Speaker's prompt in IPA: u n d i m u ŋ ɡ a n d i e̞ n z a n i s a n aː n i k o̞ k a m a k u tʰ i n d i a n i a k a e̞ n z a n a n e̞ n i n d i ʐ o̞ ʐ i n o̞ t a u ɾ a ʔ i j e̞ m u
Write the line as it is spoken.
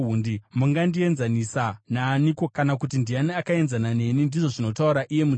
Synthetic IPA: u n d i m u ŋ ɡ a n d i e̞ n z a n i s a n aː n i k o̞ k a n a k u t i n d i a n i a k a e̞ n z a n a n e̞ n i n d i ʐ o̞ ʐ i n o̞ t a u ɾ a ʔ i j e̞ m u